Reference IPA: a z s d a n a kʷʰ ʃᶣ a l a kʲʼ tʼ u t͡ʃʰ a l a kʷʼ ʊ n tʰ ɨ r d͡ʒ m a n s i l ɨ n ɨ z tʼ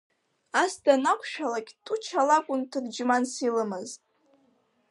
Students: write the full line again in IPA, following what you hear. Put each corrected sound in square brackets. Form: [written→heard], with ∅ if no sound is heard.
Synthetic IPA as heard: a [z→∅] s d a n a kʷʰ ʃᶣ a l a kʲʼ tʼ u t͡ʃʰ a l a kʷʼ ʊ n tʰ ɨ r d͡ʒ m a n s i l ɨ [n→m] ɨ z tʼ